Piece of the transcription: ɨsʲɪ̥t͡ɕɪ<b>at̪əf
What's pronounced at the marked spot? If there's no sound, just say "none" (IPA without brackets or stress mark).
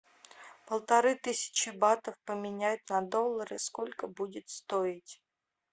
b